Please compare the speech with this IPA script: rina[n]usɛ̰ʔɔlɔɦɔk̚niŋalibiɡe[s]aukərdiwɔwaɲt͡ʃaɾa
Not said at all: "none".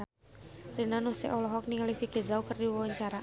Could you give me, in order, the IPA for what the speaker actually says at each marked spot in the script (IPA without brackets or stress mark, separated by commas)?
n, z